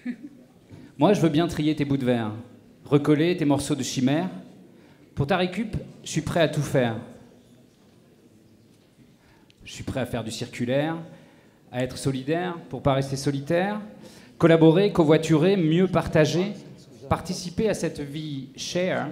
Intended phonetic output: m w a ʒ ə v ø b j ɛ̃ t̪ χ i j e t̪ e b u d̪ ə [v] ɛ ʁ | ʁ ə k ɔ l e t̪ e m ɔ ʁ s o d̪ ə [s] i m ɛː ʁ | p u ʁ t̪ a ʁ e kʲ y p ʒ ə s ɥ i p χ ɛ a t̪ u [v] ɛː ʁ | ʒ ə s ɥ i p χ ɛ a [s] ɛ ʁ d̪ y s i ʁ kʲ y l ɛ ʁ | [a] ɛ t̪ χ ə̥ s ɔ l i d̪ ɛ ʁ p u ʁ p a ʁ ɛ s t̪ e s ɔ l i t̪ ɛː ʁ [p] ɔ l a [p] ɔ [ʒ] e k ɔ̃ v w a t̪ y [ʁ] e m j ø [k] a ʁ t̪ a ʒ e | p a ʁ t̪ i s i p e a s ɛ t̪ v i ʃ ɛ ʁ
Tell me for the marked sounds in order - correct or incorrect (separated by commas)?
correct, incorrect, incorrect, incorrect, correct, incorrect, incorrect, incorrect, correct, incorrect